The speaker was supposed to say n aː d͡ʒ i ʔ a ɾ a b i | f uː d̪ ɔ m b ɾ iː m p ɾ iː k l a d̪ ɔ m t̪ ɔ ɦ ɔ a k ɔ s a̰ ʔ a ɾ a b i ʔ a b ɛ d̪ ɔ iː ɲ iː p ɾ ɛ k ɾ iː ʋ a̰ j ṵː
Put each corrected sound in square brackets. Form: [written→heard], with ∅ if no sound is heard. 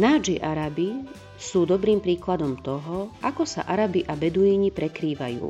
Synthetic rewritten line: n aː d͡ʒ i ʔ a ɾ a b i | [f→s] uː d̪ ɔ [m→∅] b ɾ iː m p ɾ iː k l a d̪ ɔ m t̪ ɔ ɦ ɔ a k ɔ s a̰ ʔ a ɾ a b i ʔ a b ɛ d̪ [ɔ→u] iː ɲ [iː→i] p ɾ ɛ k ɾ iː ʋ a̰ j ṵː